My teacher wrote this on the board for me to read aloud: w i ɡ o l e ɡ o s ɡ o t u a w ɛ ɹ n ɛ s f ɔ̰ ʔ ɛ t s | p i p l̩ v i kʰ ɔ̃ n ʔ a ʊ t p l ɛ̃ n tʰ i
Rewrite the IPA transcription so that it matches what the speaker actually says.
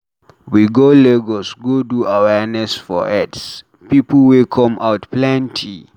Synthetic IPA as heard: w i ɡ o l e ɡ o s ɡ o d u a w ɛ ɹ n ɛ s f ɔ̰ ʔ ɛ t s | p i p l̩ w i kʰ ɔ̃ m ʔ a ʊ t p l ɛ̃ n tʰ i